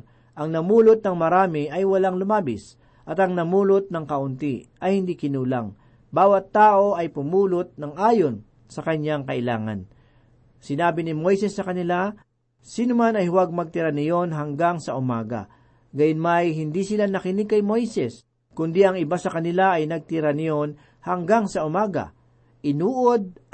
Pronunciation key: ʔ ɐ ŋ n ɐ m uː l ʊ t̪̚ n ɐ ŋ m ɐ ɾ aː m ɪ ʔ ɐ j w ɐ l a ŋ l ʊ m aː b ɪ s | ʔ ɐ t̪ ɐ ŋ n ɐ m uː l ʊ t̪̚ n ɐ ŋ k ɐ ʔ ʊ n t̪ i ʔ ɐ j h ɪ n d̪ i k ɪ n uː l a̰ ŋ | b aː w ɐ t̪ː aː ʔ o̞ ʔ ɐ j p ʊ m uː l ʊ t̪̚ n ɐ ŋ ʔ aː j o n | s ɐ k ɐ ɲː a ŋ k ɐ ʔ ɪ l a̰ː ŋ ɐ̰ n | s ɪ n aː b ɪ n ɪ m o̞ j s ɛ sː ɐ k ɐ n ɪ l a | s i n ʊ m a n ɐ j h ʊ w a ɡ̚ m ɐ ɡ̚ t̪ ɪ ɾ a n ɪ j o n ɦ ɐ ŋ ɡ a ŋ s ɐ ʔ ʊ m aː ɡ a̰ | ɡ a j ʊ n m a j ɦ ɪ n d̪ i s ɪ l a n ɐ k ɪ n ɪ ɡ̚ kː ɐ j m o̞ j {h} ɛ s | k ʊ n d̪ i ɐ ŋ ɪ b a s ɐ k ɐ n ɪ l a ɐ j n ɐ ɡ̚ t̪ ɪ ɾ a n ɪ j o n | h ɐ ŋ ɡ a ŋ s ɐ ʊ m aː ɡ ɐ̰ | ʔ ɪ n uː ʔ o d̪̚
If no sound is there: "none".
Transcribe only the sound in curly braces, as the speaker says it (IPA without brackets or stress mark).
s